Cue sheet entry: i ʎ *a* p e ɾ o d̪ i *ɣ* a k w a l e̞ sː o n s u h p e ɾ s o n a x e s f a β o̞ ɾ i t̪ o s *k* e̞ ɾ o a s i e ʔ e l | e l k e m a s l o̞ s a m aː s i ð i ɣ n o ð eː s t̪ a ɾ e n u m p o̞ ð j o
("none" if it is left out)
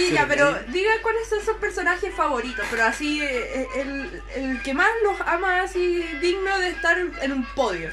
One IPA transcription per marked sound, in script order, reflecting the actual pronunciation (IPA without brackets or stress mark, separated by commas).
a, ɣ, p